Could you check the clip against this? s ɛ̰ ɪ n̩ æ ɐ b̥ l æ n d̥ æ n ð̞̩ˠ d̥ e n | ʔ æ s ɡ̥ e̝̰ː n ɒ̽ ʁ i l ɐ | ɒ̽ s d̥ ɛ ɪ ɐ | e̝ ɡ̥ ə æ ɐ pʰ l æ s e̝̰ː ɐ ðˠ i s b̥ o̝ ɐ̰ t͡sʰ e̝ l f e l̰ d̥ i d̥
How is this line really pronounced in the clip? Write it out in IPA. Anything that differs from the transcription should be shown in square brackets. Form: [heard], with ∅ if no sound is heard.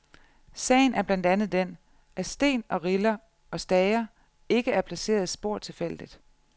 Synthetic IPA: s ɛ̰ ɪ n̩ æ ɐ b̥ l æ n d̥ æ n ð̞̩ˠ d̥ e n | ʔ æ s [d̥] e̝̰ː n ɒ̽ ʁ i l ɐ | ɒ̽ s d̥ ɛ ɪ ɐ | e̝ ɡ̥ ə æ ɐ pʰ l æ s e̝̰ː ɐ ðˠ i s b̥ o̝ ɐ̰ t͡sʰ e̝ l f e l̰ d̥ i d̥